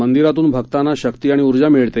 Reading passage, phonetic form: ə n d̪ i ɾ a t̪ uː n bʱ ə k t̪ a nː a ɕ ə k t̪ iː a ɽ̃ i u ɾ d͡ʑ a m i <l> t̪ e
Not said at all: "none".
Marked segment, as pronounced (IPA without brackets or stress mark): ɭ